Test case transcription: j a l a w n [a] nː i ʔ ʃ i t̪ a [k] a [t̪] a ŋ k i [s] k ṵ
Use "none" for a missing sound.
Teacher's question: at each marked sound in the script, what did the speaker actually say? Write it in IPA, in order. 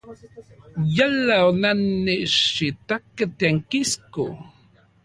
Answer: a, k, t̪, s

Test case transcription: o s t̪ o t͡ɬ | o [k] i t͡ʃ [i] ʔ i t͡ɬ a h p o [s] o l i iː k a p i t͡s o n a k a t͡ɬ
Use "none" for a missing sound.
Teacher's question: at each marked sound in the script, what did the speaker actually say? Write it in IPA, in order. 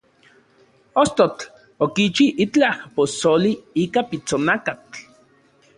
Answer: k, i, s

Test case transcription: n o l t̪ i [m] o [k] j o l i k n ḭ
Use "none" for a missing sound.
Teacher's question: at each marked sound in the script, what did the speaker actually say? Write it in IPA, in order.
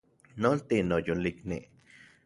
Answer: n, none

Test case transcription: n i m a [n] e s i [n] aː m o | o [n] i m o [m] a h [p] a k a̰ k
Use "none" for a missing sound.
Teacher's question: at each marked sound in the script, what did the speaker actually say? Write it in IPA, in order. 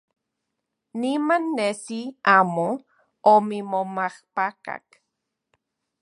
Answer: nː, none, m, m, p

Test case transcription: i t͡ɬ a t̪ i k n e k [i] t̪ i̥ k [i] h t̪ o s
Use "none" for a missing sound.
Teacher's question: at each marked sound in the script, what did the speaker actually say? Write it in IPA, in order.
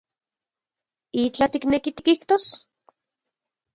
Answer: i, i

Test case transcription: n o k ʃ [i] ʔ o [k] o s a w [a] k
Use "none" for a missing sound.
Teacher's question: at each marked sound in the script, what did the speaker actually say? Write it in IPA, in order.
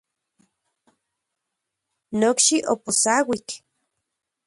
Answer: i, p, i

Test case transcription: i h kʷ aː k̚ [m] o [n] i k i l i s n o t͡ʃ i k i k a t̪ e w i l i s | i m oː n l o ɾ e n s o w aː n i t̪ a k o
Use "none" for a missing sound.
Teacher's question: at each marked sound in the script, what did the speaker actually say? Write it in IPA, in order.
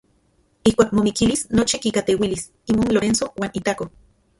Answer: m, m

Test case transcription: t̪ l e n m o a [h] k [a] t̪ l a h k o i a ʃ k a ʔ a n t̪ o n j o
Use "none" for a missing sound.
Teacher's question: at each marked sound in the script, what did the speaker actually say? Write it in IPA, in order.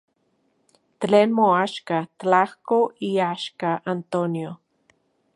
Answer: ʃ, a

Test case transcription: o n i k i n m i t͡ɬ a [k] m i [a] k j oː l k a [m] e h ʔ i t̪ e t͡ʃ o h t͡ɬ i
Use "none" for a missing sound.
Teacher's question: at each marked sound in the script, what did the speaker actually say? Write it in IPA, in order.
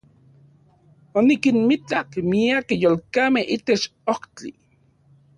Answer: k, a, m

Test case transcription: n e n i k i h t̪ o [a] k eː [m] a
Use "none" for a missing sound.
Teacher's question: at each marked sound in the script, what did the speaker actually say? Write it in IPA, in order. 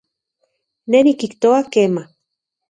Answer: a, m

